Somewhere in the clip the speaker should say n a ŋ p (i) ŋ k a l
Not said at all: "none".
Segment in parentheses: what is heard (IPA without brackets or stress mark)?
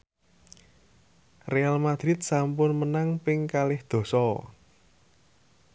ɪ